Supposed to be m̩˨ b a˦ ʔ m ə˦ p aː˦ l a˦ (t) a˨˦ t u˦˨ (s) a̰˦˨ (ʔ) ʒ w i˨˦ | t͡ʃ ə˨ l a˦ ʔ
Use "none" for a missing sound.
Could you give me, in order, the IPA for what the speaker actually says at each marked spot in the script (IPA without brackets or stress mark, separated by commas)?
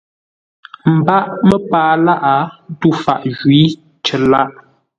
ʔ, f, ʔ